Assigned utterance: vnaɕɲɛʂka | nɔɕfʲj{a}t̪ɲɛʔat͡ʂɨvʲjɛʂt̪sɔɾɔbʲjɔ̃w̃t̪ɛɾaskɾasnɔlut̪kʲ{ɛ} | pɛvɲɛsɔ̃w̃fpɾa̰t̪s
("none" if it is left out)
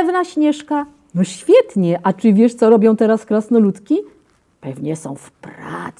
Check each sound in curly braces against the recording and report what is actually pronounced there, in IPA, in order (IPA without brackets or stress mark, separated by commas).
ɛ, i